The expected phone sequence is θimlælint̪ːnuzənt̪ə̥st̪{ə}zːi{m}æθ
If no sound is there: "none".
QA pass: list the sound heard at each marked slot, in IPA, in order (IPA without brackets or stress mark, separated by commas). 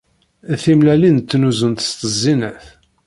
ə, n